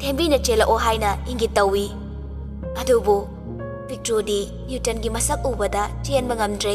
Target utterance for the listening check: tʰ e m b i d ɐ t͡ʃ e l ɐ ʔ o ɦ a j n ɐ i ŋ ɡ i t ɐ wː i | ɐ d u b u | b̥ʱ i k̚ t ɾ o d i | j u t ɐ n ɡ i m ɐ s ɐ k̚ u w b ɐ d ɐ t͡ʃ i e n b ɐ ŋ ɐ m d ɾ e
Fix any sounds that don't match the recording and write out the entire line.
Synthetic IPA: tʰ e m b i n ɐ t͡ʃ e l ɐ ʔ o ɦ a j n ɐ i ŋ ɡ i t ɐ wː i | ɐ d u b u | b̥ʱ i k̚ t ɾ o d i | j u t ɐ n ɡ i m ɐ s ɐ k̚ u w b ɐ d ɐ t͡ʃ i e n b ɐ ŋ ɐ m d ɾ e